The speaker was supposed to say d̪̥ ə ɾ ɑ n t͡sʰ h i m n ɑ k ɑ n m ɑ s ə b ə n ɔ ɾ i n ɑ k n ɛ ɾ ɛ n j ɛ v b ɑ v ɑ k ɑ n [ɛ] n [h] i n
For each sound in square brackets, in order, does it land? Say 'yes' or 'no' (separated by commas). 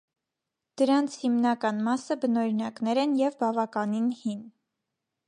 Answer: no, yes